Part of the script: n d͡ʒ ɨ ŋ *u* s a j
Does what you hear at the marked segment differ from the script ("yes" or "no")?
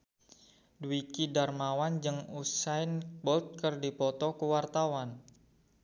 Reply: no